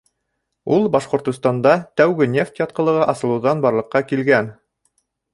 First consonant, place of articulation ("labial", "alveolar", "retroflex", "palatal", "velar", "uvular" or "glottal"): alveolar